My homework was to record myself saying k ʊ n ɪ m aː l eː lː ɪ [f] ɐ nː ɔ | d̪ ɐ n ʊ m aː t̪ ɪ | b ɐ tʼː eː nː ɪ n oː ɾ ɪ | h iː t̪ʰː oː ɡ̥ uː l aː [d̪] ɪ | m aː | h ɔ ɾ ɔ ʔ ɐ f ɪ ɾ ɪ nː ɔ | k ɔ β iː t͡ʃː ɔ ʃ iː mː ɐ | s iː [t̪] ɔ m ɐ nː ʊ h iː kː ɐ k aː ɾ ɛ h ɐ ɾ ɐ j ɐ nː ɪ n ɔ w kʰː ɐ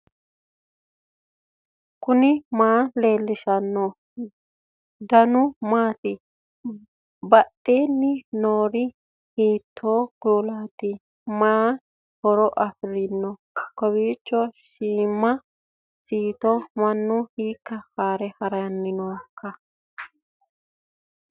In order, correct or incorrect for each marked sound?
incorrect: ʃ, incorrect: t̪, correct

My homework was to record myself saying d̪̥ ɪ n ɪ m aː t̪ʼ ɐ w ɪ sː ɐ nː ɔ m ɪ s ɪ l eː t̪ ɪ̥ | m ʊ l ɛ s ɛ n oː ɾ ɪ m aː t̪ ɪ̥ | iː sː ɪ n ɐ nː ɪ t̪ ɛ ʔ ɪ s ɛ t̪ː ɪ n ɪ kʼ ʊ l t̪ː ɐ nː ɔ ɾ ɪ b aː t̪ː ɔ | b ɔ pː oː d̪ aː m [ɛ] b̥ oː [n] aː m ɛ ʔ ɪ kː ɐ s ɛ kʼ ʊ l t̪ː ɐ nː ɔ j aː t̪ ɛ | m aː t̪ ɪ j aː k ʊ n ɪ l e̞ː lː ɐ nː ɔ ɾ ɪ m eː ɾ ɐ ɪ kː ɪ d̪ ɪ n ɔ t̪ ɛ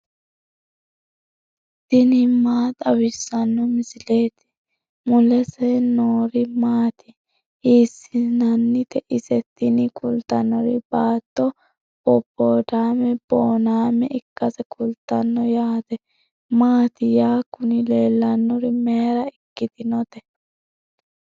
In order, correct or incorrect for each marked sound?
correct, correct

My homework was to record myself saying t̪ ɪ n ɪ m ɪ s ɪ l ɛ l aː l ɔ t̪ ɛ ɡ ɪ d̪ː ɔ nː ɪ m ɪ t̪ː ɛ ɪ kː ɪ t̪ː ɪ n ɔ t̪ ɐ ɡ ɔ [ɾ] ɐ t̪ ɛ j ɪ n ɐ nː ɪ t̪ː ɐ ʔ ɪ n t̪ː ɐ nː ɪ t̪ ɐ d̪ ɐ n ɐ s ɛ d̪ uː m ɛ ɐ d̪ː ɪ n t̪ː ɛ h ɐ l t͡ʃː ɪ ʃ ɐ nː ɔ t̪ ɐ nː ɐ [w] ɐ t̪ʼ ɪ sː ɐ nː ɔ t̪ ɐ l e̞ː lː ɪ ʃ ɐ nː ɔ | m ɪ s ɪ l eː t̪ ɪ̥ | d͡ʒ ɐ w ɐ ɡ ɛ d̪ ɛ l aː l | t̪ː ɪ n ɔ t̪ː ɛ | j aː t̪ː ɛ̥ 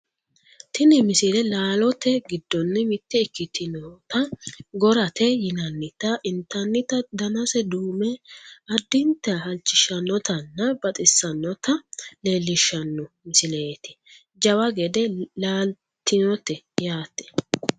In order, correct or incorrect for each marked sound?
correct, incorrect: b

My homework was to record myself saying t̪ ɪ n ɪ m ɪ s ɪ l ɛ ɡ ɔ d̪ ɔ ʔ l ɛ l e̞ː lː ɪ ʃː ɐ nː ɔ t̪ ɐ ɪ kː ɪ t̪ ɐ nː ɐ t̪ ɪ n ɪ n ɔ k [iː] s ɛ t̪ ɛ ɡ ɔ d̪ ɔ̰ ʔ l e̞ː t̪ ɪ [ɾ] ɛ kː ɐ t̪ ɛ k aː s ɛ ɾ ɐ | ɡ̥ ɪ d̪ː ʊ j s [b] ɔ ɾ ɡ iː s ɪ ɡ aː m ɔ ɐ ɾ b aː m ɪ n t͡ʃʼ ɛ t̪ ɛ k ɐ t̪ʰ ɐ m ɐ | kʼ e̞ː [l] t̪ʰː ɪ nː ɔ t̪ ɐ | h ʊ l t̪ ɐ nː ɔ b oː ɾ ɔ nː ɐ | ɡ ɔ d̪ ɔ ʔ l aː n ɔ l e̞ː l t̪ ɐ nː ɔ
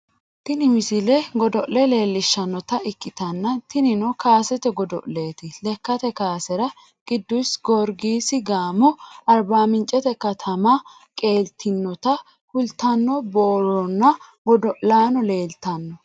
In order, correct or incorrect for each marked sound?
incorrect: aː, incorrect: l, incorrect: ɡ, correct

